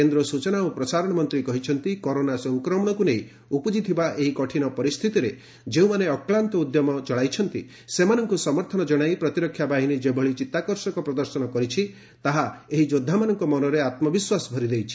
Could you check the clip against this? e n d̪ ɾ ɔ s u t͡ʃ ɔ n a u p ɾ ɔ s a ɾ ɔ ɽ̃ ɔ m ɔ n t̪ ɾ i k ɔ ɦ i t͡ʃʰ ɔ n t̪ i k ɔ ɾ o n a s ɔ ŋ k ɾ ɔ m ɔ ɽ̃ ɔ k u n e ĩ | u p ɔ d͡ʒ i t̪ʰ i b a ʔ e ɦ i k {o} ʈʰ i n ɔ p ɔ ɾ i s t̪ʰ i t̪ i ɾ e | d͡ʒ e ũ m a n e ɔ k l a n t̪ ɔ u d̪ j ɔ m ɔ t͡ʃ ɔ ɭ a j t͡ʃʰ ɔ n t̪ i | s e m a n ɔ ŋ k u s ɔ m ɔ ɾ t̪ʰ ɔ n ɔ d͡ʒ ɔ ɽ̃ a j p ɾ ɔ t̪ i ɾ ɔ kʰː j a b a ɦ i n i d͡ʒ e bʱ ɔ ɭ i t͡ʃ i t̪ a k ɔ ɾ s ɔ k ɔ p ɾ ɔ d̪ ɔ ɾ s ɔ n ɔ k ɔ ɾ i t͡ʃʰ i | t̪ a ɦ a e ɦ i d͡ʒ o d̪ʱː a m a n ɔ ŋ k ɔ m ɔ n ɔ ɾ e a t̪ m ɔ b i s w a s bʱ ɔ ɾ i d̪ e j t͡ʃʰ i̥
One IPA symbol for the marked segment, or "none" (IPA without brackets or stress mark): ɔ